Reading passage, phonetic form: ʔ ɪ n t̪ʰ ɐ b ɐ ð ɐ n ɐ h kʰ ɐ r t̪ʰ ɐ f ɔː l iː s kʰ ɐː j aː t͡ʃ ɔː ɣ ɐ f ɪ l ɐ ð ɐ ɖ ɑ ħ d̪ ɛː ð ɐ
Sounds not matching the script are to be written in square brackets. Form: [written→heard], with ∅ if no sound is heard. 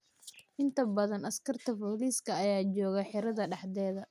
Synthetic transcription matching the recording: ʔ ɪ n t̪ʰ ɐ b ɐ ð ɐ n ɐ [h→s] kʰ ɐ r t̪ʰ ɐ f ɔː l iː s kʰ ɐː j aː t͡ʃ ɔː ɣ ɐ [f→ħ] ɪ [l→ɾ] ɐ ð ɐ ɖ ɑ ħ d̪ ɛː ð ɐ

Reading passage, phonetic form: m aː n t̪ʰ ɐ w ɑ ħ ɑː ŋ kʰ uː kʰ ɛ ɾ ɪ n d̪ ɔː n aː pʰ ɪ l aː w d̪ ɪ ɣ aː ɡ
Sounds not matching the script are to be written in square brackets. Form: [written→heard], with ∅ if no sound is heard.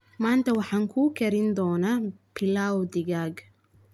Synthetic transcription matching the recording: m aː n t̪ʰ ɐ w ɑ ħ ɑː ŋ kʰ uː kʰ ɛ ɾ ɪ n d̪ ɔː n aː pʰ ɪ l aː w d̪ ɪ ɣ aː ɡ

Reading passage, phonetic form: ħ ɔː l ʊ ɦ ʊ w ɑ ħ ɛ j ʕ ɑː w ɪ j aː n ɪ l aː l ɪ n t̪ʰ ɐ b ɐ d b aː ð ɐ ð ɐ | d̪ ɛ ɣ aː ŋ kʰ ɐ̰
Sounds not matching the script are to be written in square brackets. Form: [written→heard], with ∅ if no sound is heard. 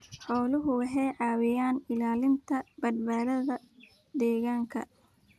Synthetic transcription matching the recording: ħ ɔː l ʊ ɦ ʊ w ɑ ħ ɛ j ʕ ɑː w ɪ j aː n ɪ l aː l ɪ n t̪ʰ ɐ b ɐ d b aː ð ɐ ð ɐ | d̪ [ɛ→ɛː] ɣ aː ŋ kʰ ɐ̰

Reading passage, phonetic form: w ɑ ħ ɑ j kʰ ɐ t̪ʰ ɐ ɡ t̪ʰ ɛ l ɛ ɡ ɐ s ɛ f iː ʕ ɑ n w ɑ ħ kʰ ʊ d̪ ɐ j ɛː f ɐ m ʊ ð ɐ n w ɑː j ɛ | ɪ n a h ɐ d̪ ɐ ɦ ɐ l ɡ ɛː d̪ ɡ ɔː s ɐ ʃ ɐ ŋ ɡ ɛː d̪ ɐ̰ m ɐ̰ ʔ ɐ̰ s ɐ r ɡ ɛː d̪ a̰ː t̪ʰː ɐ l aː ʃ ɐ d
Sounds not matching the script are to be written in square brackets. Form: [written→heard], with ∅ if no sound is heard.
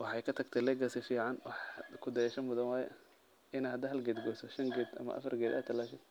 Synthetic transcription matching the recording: w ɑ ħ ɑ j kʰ ɐ t̪ʰ ɐ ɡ t̪ʰ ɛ l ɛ ɡ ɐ s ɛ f iː ʕ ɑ n w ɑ ħ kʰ ʊ d̪ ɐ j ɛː [f→ʃ] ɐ m ʊ ð ɐ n w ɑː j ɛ | ɪ n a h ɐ d̪ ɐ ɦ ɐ l ɡ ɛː d̪ ɡ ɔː s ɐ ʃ ɐ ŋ ɡ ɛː d̪ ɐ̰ m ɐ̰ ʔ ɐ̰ [s→f] ɐ r ɡ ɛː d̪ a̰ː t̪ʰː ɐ l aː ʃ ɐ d

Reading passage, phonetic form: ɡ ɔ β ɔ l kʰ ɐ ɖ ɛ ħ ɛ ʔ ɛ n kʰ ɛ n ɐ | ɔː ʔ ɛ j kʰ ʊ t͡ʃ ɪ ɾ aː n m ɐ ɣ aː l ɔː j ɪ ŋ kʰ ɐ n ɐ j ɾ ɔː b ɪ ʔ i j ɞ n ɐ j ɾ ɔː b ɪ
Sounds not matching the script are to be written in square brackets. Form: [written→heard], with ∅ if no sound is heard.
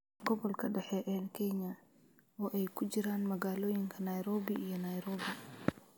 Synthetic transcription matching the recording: ɡ ɔ β ɔ l kʰ ɐ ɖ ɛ ħ ɛ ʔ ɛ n kʰ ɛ [n→ɲ] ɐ | ɔː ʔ ɛ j kʰ ʊ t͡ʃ ɪ ɾ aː n m ɐ ɣ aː l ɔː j ɪ ŋ kʰ ɐ n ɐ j ɾ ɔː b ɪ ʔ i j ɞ n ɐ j ɾ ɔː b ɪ

